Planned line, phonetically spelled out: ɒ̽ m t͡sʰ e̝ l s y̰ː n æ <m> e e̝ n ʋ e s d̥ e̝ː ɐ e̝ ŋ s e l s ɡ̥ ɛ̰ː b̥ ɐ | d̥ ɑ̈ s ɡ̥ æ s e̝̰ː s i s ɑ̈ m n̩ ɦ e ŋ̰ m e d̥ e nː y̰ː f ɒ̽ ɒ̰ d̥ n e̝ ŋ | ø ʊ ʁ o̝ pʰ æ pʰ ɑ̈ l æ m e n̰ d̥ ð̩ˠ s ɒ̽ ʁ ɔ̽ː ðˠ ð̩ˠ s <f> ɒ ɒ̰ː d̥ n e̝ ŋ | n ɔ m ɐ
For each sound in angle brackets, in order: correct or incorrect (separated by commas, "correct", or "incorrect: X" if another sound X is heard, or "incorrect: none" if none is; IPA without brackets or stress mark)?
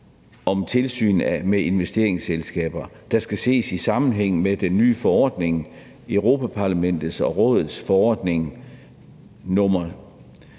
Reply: correct, correct